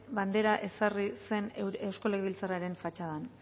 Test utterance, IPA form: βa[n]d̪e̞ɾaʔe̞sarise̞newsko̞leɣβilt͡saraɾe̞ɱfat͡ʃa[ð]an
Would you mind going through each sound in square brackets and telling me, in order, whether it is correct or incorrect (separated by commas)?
correct, correct